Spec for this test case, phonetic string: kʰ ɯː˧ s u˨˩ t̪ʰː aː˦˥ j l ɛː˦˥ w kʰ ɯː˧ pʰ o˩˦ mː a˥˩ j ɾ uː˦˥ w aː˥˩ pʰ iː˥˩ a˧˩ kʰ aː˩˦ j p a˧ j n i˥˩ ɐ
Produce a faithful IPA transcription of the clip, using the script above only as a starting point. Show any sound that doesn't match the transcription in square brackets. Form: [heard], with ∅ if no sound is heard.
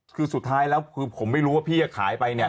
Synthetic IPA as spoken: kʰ ɯː˧ s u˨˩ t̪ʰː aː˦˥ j l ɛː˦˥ w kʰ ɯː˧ pʰ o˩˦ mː a˥˩ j ɾ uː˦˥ w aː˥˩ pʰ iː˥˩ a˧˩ kʰ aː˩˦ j p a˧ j n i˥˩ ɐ